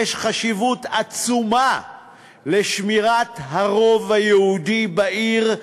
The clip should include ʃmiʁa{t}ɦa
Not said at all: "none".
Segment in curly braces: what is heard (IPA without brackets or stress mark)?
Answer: t